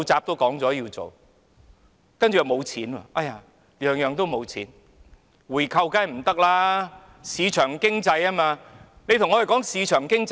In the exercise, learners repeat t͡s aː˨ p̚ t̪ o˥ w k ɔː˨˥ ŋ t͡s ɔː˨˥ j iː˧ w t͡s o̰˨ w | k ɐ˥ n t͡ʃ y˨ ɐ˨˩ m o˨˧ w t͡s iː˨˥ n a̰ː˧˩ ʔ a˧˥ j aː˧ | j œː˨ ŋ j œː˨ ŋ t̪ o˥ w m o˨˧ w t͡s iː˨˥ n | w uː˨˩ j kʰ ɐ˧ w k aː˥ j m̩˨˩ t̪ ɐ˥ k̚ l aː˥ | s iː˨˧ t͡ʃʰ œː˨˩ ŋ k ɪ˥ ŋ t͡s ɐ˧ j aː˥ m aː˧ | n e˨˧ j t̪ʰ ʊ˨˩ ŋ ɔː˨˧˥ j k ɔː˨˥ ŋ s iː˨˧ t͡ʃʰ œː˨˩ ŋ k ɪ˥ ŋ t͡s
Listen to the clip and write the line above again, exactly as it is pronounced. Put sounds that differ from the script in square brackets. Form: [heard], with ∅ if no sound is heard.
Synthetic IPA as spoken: t͡s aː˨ p̚ t̪ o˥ w k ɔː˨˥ ŋ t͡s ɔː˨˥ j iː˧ w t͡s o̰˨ w | k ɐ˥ n t͡ʃ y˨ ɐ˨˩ m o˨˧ w [t͡sʰ] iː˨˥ n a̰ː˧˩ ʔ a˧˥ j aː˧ | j œː˨ ŋ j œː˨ ŋ t̪ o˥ w m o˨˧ w [t͡sʰ] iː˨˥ n | w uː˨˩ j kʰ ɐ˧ w k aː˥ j m̩˨˩ t̪ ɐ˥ k̚ l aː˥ | s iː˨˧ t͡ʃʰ œː˨˩ ŋ k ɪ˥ ŋ t͡s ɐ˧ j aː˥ m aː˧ | n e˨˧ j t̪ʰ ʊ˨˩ ŋ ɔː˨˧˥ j k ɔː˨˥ ŋ s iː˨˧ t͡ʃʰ œː˨˩ ŋ k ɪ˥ ŋ t͡s